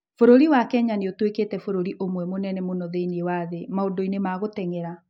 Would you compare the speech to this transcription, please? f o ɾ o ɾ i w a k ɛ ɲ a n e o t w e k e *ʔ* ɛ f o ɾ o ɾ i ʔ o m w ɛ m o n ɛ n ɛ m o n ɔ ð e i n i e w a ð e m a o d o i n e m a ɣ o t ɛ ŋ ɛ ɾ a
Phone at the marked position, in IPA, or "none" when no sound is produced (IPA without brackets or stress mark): t